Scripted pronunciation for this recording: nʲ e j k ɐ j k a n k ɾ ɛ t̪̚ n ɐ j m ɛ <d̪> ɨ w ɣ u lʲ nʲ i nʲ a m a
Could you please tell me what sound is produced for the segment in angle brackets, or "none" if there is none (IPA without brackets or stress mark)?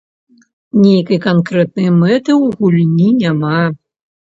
t̪